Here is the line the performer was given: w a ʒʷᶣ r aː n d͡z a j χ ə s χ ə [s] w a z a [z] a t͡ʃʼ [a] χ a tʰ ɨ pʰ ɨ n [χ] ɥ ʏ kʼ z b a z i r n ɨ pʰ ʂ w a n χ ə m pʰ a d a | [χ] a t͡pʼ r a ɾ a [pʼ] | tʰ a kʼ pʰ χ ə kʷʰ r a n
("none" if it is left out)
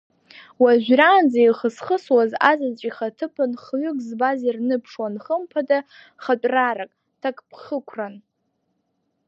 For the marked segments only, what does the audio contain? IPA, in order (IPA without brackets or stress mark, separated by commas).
s, z, i, χ, χ, kʼ